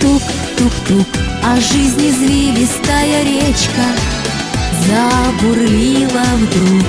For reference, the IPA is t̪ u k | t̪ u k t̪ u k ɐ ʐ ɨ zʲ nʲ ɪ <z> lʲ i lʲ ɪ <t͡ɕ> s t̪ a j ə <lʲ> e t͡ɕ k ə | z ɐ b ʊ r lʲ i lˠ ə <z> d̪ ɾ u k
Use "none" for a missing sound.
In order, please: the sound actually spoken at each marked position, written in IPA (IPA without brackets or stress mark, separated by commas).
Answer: z, none, ɾʲ, v